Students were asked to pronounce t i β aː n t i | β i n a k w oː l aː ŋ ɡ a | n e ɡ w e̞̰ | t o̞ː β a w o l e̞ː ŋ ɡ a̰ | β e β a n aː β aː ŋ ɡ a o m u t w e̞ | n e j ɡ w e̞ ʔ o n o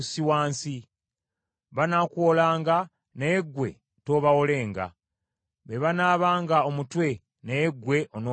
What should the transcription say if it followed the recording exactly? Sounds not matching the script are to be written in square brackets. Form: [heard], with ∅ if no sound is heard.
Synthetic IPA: [s] i [w] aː n [s] i | β [a] n a k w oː l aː ŋ ɡ a | n e ɡ w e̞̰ | t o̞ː β a w o l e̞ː ŋ ɡ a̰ | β e β a n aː β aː ŋ ɡ a o m u t w e̞ | n e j ɡ w e̞ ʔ o n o